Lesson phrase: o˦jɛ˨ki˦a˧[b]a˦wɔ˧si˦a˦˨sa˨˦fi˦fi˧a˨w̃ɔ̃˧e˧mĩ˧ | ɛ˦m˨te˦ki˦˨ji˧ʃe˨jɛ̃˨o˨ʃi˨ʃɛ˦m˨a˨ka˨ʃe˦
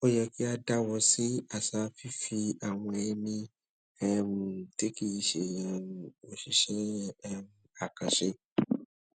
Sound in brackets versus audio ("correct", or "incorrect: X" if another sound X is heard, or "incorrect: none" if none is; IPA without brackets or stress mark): incorrect: d